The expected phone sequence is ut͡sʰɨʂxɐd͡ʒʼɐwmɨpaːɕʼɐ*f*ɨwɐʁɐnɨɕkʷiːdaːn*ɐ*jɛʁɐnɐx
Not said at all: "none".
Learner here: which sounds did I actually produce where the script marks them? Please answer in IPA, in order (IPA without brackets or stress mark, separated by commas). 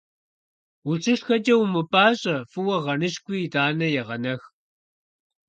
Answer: f, ɐ